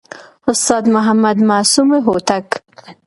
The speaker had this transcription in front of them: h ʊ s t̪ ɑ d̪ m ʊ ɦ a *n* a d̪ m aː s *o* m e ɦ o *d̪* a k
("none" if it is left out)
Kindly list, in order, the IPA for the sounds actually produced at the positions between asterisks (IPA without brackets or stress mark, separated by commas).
m, u, t̪